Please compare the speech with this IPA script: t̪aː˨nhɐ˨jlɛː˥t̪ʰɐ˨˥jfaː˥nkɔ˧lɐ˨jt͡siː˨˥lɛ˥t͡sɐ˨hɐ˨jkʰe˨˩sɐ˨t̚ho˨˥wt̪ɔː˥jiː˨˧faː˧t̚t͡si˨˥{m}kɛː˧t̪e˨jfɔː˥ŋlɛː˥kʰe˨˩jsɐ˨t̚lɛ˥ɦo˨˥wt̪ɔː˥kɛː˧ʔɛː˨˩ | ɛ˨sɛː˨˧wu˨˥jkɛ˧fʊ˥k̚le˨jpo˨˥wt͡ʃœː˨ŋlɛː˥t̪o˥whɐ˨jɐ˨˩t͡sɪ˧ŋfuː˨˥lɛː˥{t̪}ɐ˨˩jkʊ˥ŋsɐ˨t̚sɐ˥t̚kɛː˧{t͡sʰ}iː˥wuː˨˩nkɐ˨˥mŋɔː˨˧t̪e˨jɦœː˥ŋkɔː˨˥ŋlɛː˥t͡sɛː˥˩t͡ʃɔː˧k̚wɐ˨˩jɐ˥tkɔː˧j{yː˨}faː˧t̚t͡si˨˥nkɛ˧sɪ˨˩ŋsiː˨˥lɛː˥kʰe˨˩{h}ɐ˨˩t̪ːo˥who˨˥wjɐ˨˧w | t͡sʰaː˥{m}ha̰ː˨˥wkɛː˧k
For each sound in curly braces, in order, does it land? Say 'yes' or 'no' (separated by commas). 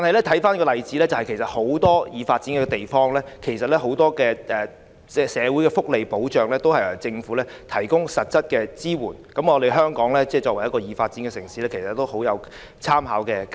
no, no, no, no, no, yes